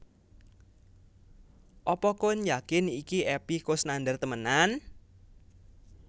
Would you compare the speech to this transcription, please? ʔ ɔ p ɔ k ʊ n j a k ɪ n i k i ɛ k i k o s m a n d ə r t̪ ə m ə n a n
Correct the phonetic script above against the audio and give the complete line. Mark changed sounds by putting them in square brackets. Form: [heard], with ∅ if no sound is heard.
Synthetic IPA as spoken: ʔ ɔ p ɔ k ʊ n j a k ɪ n i k i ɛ [p] i k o s [n] a n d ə r t̪ ə m ə n a n